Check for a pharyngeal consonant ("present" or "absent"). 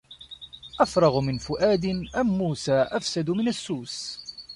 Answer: absent